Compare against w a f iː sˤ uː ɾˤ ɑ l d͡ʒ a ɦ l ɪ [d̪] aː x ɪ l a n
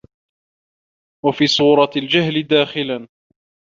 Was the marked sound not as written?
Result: no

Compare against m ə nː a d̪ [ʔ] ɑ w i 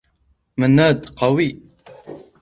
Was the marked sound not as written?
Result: yes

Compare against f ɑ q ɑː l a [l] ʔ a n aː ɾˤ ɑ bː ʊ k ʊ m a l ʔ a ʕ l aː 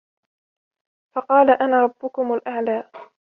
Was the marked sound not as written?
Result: yes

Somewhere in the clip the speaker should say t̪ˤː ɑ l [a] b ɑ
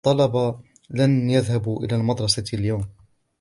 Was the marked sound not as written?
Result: yes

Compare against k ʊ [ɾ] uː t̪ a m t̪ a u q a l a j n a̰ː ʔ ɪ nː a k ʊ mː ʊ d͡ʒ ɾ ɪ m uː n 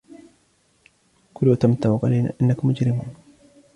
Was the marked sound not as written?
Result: yes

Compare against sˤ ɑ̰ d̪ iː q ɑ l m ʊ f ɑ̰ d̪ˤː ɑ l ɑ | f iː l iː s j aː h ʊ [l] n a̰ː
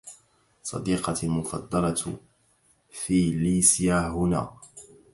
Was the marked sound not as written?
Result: yes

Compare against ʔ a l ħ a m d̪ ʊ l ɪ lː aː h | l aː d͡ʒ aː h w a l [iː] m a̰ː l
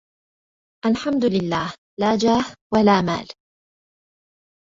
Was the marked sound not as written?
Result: yes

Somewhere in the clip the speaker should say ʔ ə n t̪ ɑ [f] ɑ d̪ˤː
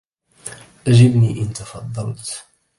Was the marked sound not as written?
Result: no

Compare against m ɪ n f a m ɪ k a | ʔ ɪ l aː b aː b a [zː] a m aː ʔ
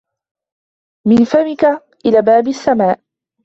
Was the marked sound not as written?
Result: yes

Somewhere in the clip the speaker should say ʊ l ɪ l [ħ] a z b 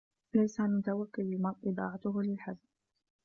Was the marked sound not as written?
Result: no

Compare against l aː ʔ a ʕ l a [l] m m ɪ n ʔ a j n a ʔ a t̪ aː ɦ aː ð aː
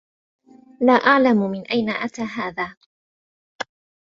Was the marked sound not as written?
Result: yes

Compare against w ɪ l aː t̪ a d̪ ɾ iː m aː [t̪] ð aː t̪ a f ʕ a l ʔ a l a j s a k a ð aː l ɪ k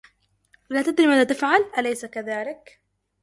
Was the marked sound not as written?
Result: yes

